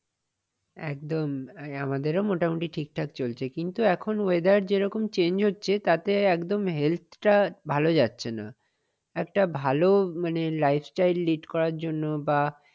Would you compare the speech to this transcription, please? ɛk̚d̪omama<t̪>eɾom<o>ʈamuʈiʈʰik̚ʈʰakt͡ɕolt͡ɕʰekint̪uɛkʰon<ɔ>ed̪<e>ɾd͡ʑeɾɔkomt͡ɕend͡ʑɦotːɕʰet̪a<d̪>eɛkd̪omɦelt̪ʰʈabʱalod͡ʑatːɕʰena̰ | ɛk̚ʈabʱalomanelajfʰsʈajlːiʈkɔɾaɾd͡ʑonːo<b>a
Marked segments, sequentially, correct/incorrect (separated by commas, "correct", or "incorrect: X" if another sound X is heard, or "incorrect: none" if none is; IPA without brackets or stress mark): incorrect: d̪, correct, incorrect: o, incorrect: a, incorrect: t̪, correct